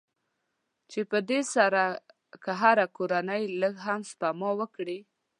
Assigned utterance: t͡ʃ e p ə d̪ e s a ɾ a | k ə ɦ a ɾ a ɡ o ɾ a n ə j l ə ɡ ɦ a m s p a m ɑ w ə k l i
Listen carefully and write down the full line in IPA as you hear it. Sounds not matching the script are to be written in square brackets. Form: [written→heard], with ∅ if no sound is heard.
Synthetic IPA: t͡ʃ e p ə d̪ e s a ɾ a | k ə ɦ a ɾ a [ɡ→k] o ɾ a n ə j l ə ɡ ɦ a m s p a m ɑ w ə k [l→ɽ] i